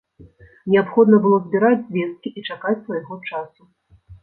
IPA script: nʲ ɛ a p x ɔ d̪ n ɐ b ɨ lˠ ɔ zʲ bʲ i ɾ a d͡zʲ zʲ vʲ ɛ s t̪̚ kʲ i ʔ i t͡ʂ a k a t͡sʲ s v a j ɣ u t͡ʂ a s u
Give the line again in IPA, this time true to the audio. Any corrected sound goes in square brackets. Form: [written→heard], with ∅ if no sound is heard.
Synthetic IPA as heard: nʲ ɛ a p x ɔ d̪ n ɐ b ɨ lˠ ɔ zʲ bʲ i ɾ a d͡zʲ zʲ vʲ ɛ s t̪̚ kʲ i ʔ i t͡ʂ a k a t͡sʲ s v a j ɣ [u→ɔ] t͡ʂ a s u